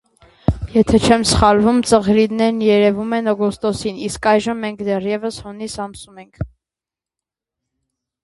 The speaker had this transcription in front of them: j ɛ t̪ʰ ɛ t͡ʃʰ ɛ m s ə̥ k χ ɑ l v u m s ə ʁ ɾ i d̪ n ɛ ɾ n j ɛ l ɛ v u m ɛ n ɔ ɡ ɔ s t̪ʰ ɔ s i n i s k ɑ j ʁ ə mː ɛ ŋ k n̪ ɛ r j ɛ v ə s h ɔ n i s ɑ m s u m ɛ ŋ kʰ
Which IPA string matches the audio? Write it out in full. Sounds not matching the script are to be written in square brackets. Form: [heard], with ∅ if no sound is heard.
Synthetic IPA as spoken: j ɛ t̪ʰ ɛ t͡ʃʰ ɛ m s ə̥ [∅] χ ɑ l v u m [t͡s] ə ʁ ɾ i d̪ n ɛ ɾ n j ɛ [ɾ] ɛ v u m ɛ n ɔ ɡ ɔ s [t̪] ɔ s i n i s k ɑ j [ʒ] ə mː ɛ ŋ k [d̪] ɛ r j ɛ v ə s h ɔ n i s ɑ m s u m ɛ ŋ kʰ